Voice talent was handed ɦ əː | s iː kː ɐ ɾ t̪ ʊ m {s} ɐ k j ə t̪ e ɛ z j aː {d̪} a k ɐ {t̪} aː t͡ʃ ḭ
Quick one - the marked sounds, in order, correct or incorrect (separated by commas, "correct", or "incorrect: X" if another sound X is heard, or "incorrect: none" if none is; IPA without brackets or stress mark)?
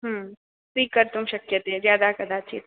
incorrect: ʃ, correct, incorrect: d̪